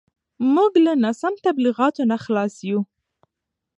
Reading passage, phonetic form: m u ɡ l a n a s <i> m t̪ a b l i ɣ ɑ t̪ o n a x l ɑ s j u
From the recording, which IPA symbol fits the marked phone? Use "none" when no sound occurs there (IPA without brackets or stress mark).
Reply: a